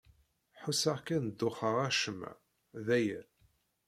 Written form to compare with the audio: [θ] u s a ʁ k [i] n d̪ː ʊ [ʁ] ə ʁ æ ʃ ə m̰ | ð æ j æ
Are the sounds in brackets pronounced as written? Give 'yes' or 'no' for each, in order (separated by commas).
no, no, no